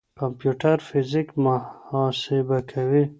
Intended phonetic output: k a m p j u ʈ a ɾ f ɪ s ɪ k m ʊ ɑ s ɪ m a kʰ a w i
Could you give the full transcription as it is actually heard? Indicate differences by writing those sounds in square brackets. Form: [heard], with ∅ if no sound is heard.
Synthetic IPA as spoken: k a m p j u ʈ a ɾ f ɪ [z] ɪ k m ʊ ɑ s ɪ [b] a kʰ a w i

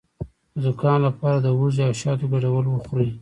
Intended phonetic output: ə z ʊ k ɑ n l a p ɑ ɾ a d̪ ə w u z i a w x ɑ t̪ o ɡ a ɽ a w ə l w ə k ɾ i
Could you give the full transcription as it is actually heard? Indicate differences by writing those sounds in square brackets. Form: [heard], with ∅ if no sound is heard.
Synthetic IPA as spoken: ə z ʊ k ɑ n l a p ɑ ɾ a d̪ ə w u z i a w [ʃ] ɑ t̪ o ɡ a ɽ a w ə l w ə [x] ɾ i

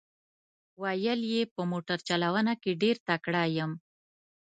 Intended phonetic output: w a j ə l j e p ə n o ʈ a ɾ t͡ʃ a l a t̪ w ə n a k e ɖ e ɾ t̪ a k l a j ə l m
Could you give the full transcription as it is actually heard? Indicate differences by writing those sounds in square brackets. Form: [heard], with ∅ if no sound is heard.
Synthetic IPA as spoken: w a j ə l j e p ə [m] o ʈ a ɾ t͡ʃ a l a [∅] w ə n a k e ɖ e ɾ t̪ a k [ɽ] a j ə [∅] m

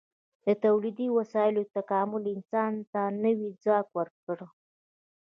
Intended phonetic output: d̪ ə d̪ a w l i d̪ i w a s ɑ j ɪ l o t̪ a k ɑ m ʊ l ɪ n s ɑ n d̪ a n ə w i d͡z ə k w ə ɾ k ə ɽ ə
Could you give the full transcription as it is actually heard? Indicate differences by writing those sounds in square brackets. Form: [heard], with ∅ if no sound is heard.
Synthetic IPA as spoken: d̪ ə [t̪] a w l i d̪ i w a s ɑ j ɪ l o t̪ a k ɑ m ʊ l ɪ n s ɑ n [t̪] a n ə w i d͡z [ɑ] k w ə ɾ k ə ɽ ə

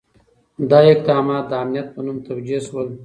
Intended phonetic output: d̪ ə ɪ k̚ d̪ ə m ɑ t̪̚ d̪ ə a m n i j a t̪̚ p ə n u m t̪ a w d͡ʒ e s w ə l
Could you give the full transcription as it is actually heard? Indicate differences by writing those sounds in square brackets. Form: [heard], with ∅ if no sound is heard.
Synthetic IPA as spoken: d̪ [ɑ] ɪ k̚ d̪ [ɑ] m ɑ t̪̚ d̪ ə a m n i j a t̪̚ p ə n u m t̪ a w d͡ʒ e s w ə l

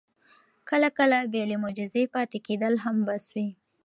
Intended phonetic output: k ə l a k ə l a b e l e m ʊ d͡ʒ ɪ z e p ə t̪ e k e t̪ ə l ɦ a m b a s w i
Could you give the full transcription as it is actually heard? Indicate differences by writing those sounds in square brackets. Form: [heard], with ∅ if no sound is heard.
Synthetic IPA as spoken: k ə l a k ə l a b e l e m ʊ d͡ʒ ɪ z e p [ɑ] t̪ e k e [d̪] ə l ɦ a m b a s w i

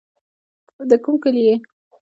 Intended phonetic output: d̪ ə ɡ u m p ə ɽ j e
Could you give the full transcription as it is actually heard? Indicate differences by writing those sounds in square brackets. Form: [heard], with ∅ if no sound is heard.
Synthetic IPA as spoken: d̪ ə [k] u m [k] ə [l] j e

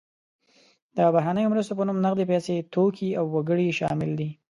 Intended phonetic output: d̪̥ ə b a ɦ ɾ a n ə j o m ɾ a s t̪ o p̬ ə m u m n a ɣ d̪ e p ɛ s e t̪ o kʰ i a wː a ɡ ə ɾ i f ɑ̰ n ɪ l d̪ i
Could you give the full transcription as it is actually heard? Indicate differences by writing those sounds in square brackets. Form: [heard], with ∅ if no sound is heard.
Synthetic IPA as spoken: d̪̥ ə b a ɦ ɾ a n ə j o m ɾ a s t̪ o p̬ ə [n] u m n a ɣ d̪ e p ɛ s e t̪ o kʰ i a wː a ɡ ə [ɽ] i [ʃ] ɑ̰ [m] ɪ l d̪ i

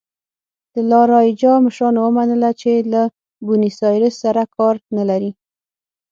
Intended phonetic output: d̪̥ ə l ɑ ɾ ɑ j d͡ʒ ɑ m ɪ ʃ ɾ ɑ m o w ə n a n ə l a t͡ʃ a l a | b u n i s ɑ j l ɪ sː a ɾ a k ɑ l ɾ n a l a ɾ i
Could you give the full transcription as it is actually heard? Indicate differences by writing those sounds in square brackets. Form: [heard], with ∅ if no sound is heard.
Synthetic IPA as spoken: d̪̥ ə l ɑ ɾ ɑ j d͡ʒ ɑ m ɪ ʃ ɾ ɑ [n] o w ə [m] a n ə l a t͡ʃ [e] l a | b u n i s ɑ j [ɾ] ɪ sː a ɾ a k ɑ [∅] ɾ n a l a ɾ i

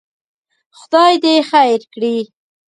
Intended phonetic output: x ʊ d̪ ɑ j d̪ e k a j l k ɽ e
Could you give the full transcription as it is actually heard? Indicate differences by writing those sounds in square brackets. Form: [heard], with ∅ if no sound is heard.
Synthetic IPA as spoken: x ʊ d̪ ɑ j d̪ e [x] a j [ɾ] k ɽ [i]

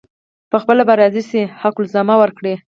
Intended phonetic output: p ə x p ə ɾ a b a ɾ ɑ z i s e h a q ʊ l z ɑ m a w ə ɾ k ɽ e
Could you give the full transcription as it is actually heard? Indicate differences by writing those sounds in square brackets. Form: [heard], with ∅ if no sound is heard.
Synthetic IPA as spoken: p ə x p ə [l] a b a ɾ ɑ z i s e h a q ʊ l z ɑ m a w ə ɾ k ɽ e

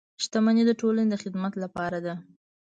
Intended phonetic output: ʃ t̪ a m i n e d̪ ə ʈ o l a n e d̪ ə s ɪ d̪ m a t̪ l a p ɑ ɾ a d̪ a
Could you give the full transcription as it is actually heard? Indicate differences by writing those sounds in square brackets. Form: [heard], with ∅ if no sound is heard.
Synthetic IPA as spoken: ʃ t̪ a m [a] n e d̪ ə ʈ o l a n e d̪ ə [x] ɪ d̪ m a t̪ l a p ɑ ɾ a d̪ a

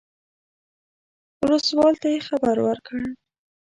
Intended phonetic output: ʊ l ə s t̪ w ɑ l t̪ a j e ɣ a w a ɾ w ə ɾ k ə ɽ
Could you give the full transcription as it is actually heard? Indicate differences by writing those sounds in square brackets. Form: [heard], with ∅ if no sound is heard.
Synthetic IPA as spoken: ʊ l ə s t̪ w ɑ l t̪ a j e [x] a [b] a ɾ w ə ɾ k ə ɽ

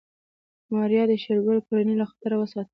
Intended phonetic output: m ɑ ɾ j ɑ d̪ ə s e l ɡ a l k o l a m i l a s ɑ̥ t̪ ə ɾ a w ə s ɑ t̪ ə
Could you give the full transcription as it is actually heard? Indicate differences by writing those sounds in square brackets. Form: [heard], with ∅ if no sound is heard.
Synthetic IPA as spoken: m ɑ ɾ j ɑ d̪ ə [ʃ] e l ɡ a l k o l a [n] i l a [x] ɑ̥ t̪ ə ɾ a w ə s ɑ t̪ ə

